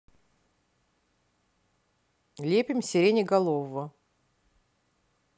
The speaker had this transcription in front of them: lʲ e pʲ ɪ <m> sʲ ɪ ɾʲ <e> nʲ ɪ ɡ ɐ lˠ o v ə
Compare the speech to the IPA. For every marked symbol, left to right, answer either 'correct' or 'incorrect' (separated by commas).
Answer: correct, correct